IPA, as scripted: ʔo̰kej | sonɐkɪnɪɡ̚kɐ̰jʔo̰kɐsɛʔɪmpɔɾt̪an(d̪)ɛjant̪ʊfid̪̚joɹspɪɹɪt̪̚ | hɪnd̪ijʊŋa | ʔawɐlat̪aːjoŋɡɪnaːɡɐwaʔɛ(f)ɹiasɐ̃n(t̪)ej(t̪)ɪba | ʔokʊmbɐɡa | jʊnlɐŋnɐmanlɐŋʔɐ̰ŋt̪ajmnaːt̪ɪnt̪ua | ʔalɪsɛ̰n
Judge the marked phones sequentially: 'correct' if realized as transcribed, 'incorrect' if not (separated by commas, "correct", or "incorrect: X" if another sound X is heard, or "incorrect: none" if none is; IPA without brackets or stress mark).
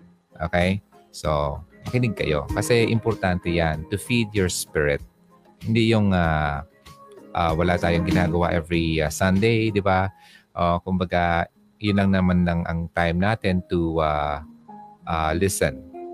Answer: incorrect: t̪, incorrect: v, incorrect: d̪, incorrect: d̪